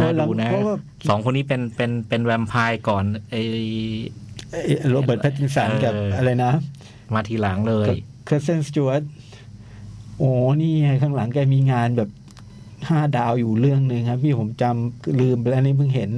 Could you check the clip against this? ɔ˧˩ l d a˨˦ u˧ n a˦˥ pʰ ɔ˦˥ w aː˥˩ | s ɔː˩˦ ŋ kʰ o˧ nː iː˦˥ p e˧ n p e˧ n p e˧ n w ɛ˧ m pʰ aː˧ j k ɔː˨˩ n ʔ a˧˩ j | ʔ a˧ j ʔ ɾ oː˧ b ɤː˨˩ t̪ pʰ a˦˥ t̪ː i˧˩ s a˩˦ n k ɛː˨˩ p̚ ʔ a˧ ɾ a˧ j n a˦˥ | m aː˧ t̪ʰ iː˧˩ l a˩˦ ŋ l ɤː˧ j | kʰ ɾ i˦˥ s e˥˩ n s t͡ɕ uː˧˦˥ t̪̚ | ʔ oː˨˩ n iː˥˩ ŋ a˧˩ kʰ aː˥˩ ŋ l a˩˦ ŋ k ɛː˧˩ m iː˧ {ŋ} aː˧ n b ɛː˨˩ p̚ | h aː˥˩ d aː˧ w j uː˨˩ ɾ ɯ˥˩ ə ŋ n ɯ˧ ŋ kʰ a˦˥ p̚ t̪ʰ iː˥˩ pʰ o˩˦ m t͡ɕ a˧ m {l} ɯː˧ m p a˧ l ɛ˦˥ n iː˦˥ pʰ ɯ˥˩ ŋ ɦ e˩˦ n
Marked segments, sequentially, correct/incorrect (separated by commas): correct, correct